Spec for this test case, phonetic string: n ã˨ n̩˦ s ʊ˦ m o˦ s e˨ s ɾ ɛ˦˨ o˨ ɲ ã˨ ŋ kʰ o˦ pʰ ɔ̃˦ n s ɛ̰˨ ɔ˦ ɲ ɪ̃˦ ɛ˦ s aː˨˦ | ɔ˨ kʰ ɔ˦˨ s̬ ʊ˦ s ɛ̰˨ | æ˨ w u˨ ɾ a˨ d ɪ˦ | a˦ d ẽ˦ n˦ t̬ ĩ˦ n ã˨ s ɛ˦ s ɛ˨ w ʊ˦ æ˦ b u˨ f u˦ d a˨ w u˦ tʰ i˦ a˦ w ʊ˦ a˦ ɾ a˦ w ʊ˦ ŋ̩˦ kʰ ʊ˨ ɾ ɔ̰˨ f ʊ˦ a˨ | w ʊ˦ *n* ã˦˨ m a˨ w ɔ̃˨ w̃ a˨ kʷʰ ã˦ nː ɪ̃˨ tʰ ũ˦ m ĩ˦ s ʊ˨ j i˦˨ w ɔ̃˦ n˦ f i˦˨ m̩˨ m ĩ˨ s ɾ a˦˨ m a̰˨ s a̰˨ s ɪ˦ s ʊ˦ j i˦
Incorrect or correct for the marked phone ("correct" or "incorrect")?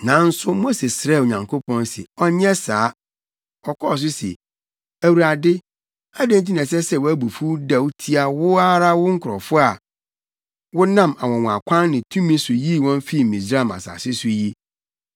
correct